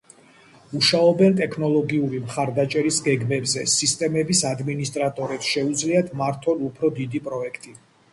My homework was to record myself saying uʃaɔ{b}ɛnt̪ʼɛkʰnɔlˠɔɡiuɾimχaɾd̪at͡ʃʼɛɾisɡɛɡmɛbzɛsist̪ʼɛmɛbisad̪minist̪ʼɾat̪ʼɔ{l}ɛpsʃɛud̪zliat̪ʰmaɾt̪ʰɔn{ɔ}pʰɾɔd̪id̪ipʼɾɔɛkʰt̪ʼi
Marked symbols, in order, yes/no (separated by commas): yes, no, no